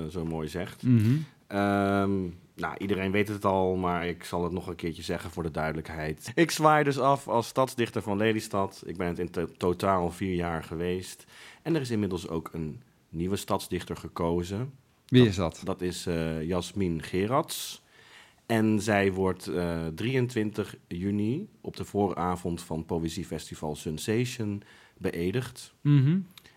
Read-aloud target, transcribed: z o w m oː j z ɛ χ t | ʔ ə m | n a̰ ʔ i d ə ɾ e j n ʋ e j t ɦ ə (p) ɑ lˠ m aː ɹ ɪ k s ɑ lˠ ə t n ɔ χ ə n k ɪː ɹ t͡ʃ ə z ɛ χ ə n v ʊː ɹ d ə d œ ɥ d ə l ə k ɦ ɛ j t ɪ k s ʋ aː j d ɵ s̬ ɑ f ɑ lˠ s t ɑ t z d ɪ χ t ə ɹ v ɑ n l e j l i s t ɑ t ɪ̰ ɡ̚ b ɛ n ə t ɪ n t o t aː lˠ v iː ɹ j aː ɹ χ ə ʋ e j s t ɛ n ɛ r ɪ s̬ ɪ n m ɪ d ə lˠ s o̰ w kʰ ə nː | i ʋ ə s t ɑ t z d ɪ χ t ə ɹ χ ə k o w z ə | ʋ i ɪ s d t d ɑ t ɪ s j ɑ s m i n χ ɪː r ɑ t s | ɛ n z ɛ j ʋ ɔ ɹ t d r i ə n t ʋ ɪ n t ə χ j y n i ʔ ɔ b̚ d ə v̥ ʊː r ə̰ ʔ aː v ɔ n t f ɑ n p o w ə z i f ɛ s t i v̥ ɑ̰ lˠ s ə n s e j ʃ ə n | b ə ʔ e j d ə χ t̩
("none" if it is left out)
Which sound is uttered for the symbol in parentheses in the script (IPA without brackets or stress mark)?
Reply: t